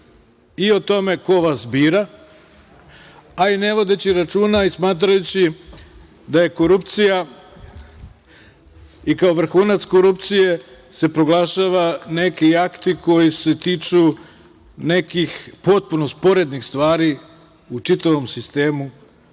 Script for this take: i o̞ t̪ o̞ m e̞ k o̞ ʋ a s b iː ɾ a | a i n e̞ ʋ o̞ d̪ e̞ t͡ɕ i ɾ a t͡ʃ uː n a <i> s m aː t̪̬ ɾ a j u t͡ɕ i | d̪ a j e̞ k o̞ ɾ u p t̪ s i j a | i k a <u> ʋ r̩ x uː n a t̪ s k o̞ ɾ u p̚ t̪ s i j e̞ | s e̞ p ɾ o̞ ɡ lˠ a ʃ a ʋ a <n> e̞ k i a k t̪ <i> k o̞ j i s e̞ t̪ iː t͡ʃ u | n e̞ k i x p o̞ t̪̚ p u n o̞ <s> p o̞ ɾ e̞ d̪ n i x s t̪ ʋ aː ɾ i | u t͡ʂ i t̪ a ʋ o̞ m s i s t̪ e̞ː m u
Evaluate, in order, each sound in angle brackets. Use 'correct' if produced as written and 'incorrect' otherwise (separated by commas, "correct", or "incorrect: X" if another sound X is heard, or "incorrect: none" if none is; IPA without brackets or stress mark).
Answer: correct, incorrect: o, correct, correct, correct